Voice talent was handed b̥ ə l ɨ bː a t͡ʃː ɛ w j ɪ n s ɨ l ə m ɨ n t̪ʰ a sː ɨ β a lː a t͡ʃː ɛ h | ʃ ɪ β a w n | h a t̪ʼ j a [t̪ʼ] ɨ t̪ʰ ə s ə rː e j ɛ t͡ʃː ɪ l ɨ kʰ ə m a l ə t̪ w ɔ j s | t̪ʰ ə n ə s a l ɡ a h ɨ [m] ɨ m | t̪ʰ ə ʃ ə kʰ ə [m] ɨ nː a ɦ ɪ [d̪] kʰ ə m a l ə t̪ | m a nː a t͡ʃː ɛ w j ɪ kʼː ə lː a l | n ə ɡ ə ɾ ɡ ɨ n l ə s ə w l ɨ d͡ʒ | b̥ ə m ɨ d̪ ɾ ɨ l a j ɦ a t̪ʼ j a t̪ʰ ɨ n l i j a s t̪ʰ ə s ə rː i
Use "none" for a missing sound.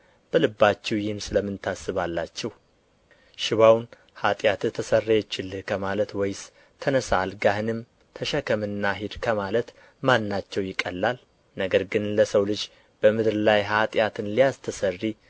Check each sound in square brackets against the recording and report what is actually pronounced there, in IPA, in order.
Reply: t̪, n, m, d̪

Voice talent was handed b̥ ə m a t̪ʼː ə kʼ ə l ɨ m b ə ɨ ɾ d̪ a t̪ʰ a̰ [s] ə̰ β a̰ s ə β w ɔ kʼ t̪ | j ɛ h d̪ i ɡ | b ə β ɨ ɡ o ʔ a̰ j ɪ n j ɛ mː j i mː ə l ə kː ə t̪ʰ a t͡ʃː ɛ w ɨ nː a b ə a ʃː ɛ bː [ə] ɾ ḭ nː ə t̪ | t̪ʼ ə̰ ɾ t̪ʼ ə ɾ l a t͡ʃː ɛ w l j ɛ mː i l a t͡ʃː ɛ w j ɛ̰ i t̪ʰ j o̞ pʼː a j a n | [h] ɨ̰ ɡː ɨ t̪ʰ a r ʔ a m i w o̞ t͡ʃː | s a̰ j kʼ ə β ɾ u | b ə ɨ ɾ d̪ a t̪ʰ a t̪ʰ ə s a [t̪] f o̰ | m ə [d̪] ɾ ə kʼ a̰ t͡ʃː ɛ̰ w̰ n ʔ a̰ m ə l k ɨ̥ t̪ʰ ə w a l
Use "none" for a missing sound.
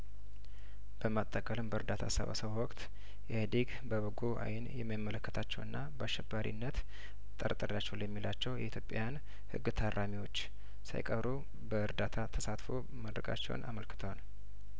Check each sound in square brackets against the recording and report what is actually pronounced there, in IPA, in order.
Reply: s, a, h, t̪, d̪

